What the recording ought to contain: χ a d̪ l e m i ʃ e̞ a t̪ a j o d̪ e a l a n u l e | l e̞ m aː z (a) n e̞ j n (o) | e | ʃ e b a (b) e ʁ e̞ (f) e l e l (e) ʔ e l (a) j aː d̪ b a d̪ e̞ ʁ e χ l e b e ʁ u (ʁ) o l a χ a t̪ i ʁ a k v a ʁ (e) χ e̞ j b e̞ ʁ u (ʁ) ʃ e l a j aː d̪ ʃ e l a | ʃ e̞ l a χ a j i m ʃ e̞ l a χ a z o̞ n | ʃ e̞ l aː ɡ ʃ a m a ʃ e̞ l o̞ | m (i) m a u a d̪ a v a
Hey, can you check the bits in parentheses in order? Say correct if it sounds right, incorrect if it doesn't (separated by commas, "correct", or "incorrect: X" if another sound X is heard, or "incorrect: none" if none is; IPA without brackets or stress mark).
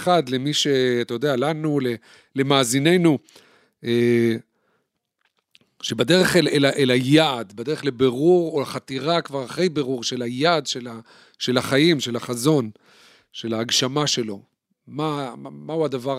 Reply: incorrect: i, incorrect: u, incorrect: d, incorrect: χ, incorrect: a, correct, correct, incorrect: a, correct, incorrect: a